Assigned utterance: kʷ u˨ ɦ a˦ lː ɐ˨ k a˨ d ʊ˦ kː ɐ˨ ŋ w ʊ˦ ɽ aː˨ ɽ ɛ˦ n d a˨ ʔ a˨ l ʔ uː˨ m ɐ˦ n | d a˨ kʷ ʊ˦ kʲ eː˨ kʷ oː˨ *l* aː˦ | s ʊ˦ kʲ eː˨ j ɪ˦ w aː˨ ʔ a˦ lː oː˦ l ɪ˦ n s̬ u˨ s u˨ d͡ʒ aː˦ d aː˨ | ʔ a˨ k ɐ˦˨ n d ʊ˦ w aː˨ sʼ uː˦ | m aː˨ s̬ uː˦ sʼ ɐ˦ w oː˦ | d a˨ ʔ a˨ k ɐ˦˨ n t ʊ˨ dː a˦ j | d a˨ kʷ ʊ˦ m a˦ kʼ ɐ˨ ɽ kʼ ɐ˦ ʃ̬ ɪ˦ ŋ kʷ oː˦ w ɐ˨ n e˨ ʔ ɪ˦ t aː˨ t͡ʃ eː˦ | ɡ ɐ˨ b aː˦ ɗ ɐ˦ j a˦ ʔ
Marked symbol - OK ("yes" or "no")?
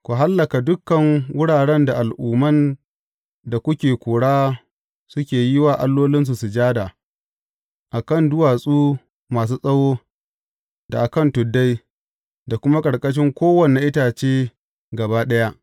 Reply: no